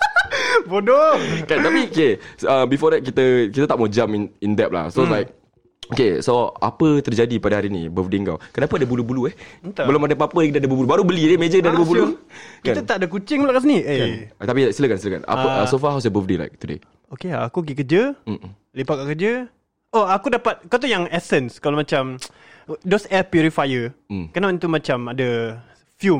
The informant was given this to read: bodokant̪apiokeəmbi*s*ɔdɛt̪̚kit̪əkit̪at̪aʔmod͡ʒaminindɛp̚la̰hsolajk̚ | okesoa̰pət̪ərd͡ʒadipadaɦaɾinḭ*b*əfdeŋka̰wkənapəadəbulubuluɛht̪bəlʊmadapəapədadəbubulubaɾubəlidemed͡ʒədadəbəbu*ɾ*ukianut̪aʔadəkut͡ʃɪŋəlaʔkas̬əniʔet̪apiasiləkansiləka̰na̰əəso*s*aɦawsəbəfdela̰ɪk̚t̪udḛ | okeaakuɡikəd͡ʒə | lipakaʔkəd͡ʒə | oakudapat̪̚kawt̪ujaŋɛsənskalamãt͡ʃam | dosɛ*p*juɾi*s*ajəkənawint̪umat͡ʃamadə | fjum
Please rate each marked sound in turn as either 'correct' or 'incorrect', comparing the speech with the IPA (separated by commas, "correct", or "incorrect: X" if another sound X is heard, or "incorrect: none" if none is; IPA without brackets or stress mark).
incorrect: f, correct, incorrect: l, incorrect: f, correct, incorrect: f